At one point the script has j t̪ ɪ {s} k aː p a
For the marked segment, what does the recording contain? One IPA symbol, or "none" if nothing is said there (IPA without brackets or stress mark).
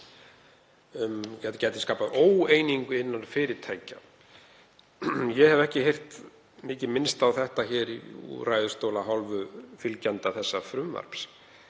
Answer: s